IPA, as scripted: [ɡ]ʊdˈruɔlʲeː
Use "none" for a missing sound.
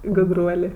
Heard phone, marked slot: ɡ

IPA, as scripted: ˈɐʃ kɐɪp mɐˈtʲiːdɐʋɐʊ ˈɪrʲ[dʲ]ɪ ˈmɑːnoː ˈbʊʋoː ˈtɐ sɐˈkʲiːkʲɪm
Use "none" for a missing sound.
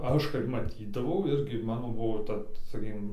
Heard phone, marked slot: ɡʲ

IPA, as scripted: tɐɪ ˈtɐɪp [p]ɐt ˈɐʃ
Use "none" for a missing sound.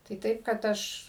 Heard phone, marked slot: k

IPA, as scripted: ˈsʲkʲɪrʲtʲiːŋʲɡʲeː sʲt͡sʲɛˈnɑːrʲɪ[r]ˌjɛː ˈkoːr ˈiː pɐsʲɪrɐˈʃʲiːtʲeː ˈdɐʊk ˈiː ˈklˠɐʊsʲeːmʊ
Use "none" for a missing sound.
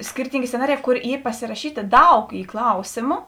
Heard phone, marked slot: none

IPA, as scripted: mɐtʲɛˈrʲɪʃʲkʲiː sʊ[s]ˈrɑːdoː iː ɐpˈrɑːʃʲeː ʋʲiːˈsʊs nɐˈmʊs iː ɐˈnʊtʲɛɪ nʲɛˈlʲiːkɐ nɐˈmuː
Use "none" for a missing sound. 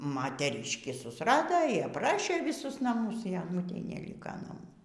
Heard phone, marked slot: s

